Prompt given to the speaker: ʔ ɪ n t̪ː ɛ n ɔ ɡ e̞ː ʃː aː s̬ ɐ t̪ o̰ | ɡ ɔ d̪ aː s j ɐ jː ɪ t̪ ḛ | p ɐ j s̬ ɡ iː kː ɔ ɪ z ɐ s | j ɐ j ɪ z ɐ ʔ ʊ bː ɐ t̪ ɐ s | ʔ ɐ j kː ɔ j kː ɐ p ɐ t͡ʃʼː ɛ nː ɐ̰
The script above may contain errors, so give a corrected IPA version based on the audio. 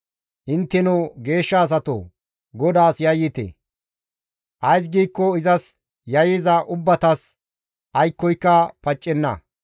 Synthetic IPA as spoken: ʔ ɪ n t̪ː ɛ n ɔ ɡ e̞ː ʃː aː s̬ ɐ t̪ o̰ | ɡ ɔ d̪ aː s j ɐ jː ɪ t̪ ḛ | ʔ ɐ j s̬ ɡ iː kː ɔ ɪ z ɐ s | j ɐ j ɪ z ɐ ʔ ʊ bː ɐ t̪ ɐ s | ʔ ɐ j kː ɔ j kː ɐ p ɐ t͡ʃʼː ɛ nː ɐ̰